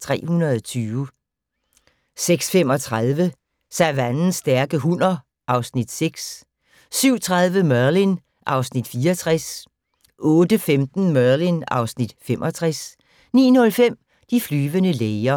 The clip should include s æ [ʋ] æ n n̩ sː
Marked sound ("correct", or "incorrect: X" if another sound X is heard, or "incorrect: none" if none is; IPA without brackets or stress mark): correct